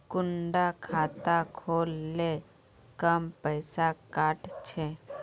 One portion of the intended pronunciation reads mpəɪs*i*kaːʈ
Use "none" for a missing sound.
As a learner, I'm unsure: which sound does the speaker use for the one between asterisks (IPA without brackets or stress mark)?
a